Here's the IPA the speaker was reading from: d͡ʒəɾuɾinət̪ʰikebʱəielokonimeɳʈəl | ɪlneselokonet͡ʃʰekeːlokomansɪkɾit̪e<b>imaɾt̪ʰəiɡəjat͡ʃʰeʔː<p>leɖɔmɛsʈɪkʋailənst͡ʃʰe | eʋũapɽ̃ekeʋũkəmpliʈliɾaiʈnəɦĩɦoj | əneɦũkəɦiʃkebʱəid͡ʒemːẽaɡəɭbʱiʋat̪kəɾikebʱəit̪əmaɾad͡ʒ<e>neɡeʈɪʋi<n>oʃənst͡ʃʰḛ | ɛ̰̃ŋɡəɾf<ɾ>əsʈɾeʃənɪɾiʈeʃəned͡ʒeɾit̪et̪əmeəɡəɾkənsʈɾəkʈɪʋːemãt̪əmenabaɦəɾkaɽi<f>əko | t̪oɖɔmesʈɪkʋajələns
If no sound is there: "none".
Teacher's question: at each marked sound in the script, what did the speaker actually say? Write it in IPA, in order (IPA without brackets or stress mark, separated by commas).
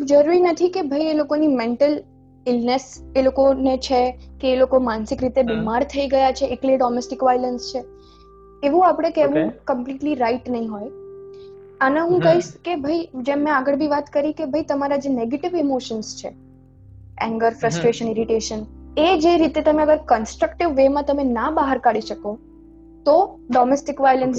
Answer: b, k, e, m, ɾ, ʃ